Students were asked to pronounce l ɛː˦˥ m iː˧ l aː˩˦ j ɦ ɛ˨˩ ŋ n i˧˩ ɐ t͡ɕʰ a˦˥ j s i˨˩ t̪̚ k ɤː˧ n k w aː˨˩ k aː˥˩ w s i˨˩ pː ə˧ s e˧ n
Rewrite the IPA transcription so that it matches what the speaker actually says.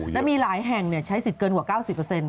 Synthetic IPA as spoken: l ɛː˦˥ m iː˧ l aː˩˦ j ɦ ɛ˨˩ ŋ n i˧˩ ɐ t͡ɕʰ a˦˥ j s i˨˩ t̪̚ k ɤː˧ n k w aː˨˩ k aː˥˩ w s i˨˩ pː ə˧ s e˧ n

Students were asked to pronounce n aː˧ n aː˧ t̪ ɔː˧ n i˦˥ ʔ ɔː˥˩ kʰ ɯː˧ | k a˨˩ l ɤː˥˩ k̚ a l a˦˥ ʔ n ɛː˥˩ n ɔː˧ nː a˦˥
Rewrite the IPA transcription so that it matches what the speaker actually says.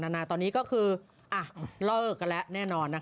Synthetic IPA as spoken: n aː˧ n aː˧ t̪ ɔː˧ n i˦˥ k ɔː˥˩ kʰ ɯː˧ | ʔ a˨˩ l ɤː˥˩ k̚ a l ɛ˦˥ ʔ n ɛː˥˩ n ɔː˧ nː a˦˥

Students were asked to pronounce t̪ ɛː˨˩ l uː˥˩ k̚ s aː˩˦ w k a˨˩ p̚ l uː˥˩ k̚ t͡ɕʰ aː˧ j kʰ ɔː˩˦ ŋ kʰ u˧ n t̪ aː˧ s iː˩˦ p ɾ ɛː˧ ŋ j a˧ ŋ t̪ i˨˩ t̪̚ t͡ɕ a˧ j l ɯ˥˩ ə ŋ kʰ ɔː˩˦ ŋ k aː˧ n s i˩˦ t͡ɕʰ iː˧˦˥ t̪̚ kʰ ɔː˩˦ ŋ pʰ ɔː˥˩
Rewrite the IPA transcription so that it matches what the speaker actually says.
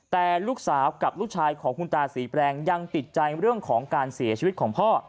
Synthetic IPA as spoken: t̪ ɛː˨˩ l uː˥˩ k̚ s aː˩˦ w k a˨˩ p̚ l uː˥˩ k̚ t͡ɕʰ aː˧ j kʰ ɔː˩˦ ŋ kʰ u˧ n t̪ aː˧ s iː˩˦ p ɾ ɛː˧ ŋ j a˧ ŋ t̪ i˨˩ t̪̚ t͡ɕ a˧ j ɾ ɯ˥˩ ə ŋ kʰ ɔː˩˦ ŋ k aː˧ n s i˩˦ t͡ɕʰ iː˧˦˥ t̪̚ kʰ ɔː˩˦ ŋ pʰ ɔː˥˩

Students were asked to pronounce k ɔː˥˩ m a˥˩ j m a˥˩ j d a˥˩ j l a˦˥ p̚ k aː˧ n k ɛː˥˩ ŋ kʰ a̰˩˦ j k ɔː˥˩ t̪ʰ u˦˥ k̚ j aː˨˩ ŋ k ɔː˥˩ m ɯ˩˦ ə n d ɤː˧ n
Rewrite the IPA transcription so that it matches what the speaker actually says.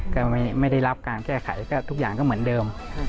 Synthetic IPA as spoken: k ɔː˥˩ m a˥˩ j m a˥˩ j d a˥˩ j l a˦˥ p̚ k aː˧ n k ɛː˥˩ kʰ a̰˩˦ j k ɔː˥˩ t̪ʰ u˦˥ k̚ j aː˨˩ ŋ k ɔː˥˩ m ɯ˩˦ ə n d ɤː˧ m

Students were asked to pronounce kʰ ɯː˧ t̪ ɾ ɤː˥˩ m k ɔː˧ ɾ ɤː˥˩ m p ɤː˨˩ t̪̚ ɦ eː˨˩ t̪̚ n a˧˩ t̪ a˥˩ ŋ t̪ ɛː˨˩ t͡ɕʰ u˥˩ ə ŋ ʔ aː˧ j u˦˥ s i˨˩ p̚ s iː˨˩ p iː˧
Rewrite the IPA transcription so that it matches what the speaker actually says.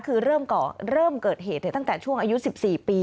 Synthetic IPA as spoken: kʰ ɯː˧ ɾ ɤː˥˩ m k ɔː˨˩ ɾ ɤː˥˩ m k ɤː˨˩ t̪̚ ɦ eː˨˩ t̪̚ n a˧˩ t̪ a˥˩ ŋ t̪ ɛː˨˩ t͡ɕʰ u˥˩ ə ŋ ʔ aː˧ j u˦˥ s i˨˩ p̚ s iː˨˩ p iː˧

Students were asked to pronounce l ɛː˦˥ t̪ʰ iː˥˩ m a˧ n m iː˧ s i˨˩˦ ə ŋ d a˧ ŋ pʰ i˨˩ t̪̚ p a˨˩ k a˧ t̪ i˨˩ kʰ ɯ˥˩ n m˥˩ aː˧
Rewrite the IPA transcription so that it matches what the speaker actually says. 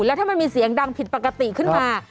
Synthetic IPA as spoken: l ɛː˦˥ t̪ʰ aː˥˩ m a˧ n m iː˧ s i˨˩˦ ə ŋ d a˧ ŋ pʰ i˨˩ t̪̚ p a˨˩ k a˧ t̪ i˨˩ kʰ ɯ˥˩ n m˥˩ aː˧

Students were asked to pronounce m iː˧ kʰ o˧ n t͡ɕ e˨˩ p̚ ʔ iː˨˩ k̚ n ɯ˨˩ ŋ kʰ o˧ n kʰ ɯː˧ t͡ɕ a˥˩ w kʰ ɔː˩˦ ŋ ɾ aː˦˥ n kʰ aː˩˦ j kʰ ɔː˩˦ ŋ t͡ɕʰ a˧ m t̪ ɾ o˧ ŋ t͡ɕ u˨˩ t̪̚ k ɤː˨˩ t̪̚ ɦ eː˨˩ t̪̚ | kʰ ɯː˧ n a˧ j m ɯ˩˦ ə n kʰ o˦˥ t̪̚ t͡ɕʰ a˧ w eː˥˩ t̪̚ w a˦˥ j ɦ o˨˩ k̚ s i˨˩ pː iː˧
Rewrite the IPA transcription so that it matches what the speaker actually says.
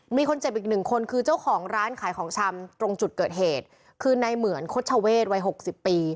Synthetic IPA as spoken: m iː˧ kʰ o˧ n t͡ɕ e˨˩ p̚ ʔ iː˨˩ k̚ n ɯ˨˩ ŋ kʰ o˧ n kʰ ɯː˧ t͡ɕ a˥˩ w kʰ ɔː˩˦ ŋ ɾ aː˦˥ n kʰ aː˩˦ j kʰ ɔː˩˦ ŋ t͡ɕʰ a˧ m t̪ ɾ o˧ ŋ t͡ɕ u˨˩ t̪̚ k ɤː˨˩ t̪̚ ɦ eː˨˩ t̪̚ | kʰ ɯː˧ n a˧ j m ɯ˩˦ ə n kʰ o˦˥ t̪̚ t͡ɕʰ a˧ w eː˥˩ t̪̚ w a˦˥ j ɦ o˨˩ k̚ s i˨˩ pː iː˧

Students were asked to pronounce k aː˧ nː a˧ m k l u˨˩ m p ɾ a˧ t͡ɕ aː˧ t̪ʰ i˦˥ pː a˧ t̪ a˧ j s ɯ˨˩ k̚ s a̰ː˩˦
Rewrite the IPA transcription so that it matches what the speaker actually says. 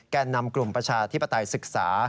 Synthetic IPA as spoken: k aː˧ nː a˧ m k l u˨˩ m p ɾ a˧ t͡ɕʰ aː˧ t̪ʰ i˦˥ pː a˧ t̪ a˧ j s ɯ˨˩ k̚ s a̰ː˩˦

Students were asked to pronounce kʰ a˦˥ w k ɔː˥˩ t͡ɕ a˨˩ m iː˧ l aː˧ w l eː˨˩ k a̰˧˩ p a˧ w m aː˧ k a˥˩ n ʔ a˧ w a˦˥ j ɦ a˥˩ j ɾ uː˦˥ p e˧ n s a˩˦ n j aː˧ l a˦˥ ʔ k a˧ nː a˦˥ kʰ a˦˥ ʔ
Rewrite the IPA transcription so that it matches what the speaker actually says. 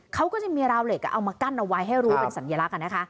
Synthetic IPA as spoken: kʰ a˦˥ w k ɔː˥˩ t͡ɕ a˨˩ m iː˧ ɾ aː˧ w l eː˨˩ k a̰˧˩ ʔ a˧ w m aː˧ k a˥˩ n ʔ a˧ w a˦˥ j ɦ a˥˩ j ɾ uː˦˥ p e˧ n s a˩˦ n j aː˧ l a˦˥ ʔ k a˧ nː a˦˥ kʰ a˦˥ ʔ

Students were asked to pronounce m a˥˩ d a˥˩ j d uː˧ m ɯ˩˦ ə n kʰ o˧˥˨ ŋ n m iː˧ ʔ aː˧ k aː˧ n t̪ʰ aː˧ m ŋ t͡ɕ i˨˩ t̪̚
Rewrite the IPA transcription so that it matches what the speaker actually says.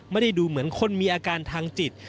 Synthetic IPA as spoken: m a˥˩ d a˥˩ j d uː˧ m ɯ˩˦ ə n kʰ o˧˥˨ n m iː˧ ʔ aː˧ k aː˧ n t̪ʰ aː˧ ŋ t͡ɕ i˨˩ t̪̚

